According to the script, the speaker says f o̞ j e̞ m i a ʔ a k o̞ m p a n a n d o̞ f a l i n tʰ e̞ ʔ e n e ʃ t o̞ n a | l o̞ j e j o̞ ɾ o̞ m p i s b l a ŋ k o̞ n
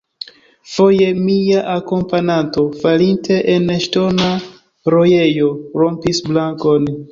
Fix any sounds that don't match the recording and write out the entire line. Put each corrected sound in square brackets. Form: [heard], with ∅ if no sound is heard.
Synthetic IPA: f o̞ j e̞ m i a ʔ a k o̞ m p a n a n [t] o̞ f a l i n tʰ e̞ ʔ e n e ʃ t o̞ n a | [ɾ] o̞ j e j o̞ ɾ o̞ m p i s b l a ŋ k o̞ n